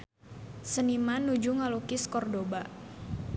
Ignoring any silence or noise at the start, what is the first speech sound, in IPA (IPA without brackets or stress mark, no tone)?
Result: s